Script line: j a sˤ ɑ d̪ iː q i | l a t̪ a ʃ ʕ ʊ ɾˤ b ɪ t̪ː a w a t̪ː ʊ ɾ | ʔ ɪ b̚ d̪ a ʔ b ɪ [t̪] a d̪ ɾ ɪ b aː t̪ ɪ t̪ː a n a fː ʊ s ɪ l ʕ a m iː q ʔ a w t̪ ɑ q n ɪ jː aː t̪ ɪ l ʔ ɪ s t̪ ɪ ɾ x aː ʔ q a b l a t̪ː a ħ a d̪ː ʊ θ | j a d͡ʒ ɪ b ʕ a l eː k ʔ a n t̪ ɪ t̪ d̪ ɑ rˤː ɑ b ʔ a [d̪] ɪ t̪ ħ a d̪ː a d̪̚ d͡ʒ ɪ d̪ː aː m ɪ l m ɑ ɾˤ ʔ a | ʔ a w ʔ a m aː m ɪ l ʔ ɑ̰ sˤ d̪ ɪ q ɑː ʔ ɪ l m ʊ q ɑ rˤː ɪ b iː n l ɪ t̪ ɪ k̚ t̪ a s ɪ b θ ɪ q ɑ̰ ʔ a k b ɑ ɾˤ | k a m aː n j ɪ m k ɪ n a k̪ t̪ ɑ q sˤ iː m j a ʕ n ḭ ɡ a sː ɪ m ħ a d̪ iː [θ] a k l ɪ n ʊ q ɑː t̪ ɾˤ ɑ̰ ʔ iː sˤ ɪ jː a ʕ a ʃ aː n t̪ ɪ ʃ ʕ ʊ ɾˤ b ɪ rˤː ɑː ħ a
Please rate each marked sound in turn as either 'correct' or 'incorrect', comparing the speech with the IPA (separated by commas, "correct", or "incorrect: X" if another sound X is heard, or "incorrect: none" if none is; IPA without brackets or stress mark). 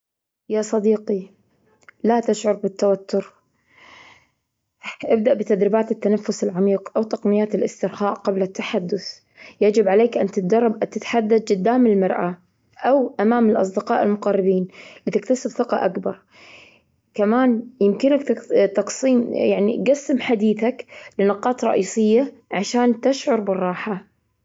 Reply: correct, incorrect: t̪, correct